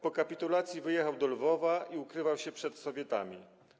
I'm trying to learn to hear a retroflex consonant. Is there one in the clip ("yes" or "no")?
yes